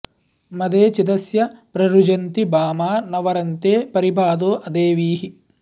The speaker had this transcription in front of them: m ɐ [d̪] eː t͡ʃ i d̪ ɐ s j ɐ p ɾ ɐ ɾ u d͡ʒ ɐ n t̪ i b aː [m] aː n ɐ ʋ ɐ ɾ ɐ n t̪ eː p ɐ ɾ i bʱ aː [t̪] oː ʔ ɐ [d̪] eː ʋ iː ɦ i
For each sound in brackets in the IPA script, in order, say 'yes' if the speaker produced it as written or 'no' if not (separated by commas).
yes, yes, no, yes